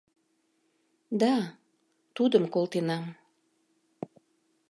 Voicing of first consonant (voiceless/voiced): voiced